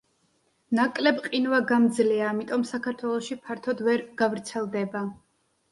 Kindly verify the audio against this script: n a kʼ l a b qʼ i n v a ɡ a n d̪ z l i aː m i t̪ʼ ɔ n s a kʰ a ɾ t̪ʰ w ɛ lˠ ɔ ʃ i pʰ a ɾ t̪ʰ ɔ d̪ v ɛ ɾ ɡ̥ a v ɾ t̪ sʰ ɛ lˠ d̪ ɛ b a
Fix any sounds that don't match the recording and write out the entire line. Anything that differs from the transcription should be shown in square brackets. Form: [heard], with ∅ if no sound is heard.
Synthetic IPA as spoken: n a kʼ l [ɛ] b qʼ i n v a ɡ a [m] d̪ z l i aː m i t̪ʼ ɔ [m] s a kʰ a ɾ t̪ʰ w ɛ lˠ ɔ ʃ i pʰ a ɾ t̪ʰ ɔ d̪ v ɛ ɾ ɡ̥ a v ɾ t̪ sʰ ɛ lˠ d̪ ɛ b a